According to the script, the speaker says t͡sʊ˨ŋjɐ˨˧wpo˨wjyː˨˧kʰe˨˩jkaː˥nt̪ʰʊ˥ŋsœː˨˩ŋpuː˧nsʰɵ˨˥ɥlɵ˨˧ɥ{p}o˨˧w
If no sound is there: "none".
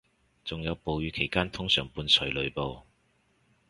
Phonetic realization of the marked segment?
p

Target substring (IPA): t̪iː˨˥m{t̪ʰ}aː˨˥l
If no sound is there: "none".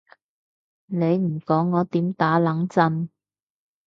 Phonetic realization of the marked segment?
t̪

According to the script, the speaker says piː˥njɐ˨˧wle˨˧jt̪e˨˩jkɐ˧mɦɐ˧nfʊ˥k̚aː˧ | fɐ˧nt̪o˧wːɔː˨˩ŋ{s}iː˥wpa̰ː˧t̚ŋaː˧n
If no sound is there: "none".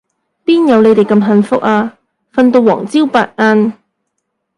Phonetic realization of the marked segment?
t͡s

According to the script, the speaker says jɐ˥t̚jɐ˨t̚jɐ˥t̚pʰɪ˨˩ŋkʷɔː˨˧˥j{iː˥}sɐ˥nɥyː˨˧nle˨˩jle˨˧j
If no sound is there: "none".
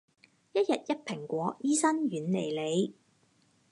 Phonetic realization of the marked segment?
iː˥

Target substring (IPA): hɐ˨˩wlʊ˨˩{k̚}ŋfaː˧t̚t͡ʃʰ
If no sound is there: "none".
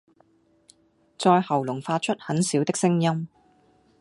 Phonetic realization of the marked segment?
none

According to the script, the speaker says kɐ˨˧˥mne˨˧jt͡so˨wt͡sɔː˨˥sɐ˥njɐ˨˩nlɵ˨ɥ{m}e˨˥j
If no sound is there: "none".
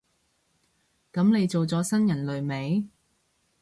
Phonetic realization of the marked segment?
m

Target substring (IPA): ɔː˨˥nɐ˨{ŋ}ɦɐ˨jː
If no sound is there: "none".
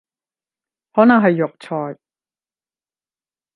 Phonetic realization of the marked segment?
ŋ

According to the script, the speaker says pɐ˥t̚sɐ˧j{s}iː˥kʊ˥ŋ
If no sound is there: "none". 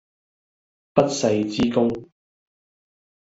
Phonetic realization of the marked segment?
t͡s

